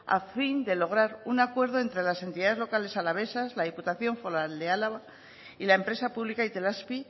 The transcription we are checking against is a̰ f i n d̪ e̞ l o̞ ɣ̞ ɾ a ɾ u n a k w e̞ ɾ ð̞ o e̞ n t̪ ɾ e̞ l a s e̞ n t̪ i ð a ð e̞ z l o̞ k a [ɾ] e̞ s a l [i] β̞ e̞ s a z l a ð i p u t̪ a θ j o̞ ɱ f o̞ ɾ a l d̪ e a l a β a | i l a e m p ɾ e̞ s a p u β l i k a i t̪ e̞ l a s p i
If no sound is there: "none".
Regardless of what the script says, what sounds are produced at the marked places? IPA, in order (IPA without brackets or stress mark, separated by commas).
l, a